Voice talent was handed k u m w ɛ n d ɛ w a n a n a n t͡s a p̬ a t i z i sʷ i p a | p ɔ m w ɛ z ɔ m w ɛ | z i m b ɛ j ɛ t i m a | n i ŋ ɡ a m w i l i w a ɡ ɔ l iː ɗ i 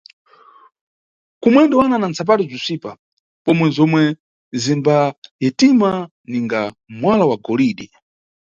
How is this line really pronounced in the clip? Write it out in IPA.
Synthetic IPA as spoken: k u m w ɛ n d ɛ w a n a n a n t͡s a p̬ a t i z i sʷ i p a | p ɔ m w ɛ z ɔ m w ɛ | z i m b a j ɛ t i m a | n i ŋ ɡ a m w a l a w a ɡ ɔ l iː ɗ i